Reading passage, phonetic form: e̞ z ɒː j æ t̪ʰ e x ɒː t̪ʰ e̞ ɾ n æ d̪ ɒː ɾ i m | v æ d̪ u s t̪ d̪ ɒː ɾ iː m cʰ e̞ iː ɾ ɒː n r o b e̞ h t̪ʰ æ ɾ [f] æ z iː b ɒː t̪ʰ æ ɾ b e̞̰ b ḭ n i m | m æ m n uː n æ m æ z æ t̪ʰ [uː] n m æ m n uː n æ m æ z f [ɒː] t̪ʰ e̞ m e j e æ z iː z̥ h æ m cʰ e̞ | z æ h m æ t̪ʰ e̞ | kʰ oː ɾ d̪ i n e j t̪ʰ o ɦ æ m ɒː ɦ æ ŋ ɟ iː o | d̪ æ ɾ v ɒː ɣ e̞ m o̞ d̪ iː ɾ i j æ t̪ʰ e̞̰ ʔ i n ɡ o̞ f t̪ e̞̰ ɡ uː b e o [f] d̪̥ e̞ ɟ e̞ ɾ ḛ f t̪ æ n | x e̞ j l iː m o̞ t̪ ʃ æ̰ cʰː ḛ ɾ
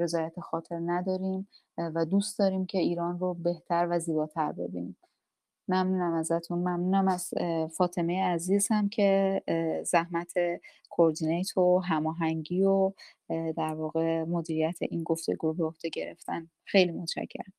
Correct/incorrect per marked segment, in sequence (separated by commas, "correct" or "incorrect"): incorrect, incorrect, correct, incorrect